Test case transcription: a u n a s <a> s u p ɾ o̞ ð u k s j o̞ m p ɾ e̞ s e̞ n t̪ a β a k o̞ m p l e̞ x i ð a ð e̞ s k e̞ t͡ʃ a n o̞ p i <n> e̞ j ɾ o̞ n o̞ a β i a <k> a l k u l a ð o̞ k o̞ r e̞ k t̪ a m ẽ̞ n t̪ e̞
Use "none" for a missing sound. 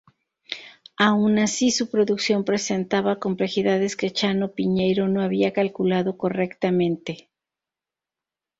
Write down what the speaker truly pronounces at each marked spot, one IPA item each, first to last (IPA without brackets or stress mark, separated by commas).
i, ɲ, k